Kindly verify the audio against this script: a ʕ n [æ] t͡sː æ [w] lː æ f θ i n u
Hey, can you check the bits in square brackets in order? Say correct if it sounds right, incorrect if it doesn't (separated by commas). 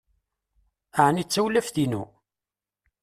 incorrect, correct